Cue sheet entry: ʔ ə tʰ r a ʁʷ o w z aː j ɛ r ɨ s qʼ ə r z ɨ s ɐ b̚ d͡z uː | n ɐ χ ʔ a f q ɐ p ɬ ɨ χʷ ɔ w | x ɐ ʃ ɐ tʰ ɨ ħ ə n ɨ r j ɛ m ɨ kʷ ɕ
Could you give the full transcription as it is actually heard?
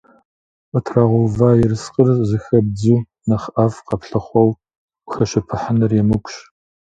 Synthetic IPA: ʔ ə tʰ r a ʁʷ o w v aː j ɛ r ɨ s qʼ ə r z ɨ x ɐ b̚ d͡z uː | n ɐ χ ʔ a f q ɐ p ɬ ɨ χʷ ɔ w | x ɐ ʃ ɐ pʰ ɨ ħ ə n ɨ r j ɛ m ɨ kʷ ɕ